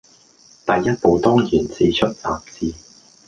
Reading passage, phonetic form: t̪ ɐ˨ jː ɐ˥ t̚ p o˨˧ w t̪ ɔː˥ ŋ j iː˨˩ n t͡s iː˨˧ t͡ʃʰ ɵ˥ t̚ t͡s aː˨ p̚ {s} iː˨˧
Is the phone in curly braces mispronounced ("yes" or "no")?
yes